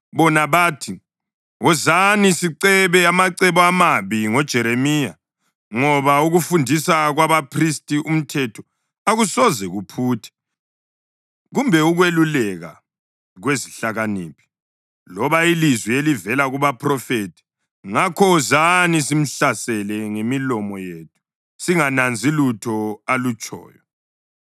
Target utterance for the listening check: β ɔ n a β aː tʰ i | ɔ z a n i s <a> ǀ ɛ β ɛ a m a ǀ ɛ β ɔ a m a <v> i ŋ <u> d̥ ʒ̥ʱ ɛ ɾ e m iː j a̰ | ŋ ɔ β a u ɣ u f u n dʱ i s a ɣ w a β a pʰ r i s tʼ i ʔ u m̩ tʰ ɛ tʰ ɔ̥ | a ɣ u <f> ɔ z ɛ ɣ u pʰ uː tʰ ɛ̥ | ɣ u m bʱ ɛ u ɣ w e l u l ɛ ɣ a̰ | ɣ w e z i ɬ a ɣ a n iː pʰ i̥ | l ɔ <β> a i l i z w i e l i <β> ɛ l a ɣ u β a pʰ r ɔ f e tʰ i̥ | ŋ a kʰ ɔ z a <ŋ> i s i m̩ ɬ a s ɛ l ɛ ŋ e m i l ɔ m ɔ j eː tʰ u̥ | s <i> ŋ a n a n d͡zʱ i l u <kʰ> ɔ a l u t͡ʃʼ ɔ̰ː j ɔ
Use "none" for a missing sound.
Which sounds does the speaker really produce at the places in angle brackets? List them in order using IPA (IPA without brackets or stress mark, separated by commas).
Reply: i, β, ɔ, s, β, v, n, i, tʰ